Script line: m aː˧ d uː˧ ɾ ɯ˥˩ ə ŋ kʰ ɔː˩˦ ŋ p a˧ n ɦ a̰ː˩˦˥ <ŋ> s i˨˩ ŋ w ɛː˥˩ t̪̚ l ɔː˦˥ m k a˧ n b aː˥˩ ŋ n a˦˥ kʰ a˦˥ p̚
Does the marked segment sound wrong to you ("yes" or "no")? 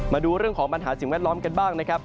yes